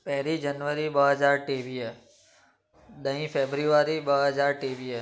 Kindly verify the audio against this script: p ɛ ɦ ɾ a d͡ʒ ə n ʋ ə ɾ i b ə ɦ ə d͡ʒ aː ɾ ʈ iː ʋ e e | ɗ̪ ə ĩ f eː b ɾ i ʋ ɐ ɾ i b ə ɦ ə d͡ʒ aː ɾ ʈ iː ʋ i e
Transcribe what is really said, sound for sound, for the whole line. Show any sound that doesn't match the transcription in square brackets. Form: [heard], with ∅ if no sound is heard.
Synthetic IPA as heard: p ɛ ɦ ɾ [i] d͡ʒ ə n ʋ ə ɾ i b ə ɦ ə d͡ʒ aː ɾ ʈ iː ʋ [i] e | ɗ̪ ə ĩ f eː b ɾ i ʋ [a] ɾ i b ə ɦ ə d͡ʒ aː ɾ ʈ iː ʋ i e